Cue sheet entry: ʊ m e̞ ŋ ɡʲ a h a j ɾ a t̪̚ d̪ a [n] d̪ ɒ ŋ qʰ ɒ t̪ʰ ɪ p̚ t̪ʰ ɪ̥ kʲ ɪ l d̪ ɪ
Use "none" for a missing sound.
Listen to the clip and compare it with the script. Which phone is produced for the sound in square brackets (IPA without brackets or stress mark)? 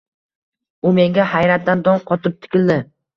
n